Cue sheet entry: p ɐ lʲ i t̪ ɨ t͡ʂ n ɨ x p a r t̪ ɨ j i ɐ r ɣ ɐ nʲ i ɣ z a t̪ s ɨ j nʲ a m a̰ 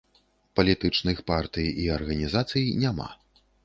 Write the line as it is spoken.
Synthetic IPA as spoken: p ɐ lʲ i t̪ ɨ t͡ʂ n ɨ x p a r t̪ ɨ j i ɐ r ɣ ɐ nʲ i z a t̪ s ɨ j nʲ a m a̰